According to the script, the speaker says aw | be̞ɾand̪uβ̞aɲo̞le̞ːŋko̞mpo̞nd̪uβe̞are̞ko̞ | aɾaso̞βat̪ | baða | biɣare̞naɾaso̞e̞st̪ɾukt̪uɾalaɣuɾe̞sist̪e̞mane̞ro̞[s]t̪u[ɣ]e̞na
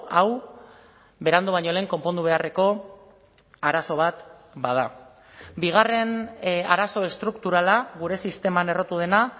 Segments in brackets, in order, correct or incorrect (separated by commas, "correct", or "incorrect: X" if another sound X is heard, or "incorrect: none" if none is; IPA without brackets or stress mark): incorrect: none, incorrect: ð